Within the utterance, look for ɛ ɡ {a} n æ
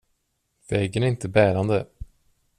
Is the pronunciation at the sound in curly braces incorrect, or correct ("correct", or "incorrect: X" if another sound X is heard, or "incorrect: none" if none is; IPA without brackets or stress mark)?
incorrect: ə